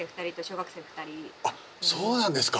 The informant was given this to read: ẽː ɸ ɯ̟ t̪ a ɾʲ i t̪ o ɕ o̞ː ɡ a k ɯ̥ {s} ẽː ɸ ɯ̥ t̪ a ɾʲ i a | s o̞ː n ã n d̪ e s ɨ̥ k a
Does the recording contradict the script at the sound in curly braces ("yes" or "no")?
no